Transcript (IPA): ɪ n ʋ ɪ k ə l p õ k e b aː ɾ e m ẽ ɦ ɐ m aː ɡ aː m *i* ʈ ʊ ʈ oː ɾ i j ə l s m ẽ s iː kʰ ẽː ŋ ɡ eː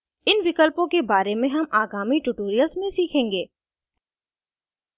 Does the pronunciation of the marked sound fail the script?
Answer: no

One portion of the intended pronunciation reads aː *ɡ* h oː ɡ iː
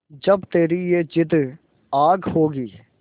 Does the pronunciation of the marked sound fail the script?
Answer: no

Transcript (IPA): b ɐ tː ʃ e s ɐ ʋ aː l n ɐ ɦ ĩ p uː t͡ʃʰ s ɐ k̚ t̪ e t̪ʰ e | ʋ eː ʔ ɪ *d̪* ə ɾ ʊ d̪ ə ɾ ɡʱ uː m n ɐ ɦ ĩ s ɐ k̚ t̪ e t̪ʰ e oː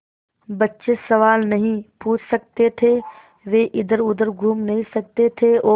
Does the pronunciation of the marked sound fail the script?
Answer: no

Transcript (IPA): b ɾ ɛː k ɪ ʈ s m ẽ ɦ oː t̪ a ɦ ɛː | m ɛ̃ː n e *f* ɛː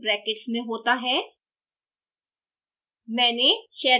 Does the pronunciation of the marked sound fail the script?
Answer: yes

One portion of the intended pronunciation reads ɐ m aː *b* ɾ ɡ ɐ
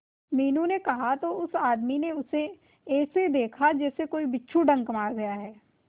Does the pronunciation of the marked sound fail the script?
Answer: yes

